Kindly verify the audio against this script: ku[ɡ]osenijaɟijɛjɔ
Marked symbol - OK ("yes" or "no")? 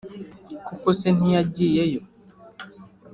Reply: no